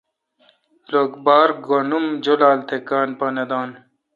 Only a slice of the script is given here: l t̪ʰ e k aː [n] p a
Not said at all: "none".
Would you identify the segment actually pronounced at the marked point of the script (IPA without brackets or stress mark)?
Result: n